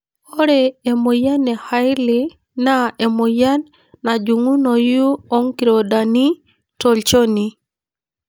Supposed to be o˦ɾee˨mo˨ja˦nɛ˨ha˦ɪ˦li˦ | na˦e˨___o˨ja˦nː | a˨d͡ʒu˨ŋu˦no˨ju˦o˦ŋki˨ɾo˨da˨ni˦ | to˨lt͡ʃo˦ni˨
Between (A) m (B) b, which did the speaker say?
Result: A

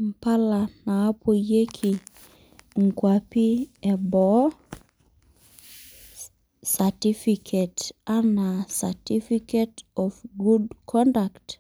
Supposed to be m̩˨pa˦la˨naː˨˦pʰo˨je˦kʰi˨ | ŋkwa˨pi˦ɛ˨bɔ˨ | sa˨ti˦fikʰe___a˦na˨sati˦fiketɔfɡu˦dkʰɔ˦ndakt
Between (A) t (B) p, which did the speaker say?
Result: A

